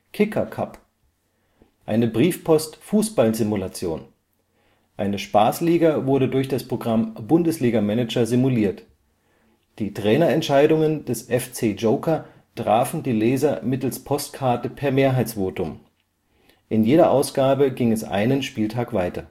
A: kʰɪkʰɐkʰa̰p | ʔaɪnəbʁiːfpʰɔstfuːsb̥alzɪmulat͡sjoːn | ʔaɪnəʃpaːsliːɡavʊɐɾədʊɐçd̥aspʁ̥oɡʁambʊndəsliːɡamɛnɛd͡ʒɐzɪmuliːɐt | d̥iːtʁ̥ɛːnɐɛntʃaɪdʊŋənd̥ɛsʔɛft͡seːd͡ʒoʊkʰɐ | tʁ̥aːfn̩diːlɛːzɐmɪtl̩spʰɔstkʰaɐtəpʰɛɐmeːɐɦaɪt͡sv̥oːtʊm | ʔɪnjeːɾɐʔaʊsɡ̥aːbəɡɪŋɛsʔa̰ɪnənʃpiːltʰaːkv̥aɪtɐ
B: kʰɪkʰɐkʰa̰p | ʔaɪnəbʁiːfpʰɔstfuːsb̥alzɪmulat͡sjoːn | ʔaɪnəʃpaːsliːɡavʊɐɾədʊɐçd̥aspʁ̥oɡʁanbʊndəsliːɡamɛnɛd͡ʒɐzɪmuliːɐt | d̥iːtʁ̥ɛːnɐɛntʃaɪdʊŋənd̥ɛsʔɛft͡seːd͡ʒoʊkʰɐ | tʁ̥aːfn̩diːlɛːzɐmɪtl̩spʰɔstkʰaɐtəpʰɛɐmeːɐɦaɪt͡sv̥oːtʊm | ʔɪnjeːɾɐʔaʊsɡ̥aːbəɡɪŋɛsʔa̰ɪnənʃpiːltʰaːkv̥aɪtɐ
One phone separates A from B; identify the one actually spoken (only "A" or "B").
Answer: A